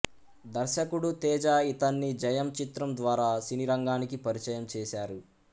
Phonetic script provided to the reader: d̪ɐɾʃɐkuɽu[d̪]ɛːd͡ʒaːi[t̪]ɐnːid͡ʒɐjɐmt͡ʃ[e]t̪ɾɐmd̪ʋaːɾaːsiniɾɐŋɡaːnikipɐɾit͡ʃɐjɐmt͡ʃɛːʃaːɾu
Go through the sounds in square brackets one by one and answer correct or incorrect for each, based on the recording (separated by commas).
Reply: incorrect, correct, incorrect